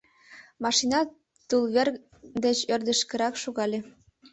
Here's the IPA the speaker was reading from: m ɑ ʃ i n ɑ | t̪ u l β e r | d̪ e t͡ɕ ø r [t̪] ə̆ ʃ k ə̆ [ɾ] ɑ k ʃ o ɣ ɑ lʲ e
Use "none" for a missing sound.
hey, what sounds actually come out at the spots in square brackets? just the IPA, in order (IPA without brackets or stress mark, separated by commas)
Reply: d̪, ɾ